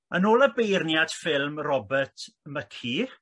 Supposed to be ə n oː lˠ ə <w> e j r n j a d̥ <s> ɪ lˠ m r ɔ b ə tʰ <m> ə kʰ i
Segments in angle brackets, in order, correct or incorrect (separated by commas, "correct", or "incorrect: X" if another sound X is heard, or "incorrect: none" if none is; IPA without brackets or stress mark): incorrect: b, incorrect: f, correct